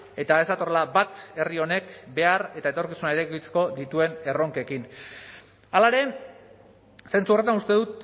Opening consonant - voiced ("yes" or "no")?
no